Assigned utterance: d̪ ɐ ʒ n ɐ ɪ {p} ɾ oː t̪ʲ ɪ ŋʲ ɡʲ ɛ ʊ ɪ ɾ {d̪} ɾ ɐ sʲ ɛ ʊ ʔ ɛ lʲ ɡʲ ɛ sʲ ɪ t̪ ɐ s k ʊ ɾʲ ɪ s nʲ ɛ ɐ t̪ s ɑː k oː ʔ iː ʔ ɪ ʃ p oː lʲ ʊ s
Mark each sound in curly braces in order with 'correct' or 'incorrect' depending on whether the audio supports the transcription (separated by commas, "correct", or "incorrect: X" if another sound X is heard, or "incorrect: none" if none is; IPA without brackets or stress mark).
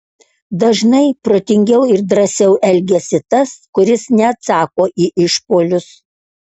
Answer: correct, correct